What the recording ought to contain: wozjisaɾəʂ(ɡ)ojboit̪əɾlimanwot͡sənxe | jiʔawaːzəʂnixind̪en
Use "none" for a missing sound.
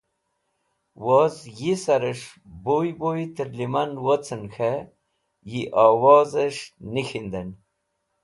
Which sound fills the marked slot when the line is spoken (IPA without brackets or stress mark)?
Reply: b